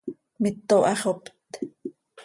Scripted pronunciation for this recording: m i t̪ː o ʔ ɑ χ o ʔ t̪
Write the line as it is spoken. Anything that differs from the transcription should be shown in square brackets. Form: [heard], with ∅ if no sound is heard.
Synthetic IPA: m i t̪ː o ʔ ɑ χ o [p] t̪